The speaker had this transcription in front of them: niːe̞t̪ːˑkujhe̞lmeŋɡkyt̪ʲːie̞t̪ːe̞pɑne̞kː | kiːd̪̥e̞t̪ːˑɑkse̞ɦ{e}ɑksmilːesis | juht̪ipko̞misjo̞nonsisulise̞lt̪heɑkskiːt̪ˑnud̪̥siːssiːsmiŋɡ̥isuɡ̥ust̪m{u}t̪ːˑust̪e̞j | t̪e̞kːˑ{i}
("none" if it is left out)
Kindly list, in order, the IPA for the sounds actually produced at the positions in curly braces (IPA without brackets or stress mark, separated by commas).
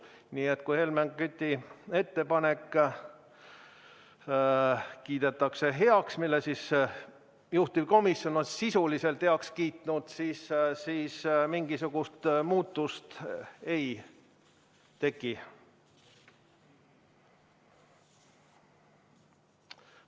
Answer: e, uː, i